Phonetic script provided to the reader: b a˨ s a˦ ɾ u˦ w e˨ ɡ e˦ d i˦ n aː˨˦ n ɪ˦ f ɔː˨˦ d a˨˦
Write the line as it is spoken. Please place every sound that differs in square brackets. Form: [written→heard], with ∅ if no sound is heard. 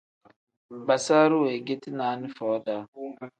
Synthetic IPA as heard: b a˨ s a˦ ɾ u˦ w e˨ ɡ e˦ [d→t] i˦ n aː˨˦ n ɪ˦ f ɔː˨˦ d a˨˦